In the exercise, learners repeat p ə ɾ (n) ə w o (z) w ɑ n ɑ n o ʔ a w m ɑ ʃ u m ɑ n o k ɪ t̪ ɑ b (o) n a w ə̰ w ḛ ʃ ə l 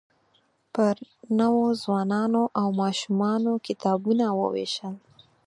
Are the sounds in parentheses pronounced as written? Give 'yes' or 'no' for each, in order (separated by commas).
yes, yes, no